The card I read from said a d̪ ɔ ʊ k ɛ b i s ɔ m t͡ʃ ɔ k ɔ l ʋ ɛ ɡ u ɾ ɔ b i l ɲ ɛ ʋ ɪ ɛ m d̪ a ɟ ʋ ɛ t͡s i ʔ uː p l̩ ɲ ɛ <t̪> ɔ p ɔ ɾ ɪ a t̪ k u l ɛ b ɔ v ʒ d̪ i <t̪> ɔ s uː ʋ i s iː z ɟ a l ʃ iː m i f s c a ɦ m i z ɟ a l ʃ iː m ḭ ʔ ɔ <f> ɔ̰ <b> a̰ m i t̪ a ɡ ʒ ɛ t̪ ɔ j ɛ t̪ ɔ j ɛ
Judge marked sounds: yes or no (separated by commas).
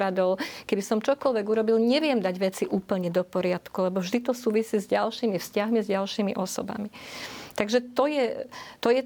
no, yes, no, yes